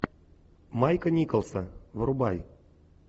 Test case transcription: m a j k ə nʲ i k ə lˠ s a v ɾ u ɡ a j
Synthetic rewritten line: m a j k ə nʲ i k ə lˠ s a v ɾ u b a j